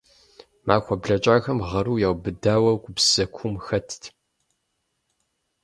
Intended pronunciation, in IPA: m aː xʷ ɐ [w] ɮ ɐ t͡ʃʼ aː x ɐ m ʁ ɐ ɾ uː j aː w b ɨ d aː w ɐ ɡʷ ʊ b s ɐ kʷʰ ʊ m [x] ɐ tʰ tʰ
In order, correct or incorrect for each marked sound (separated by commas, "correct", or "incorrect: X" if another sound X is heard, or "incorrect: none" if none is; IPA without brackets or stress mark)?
incorrect: b, correct